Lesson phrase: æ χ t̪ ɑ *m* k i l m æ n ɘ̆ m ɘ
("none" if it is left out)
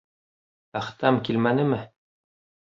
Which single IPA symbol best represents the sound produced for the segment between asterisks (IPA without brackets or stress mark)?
m